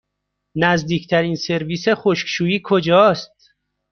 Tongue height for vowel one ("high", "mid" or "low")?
low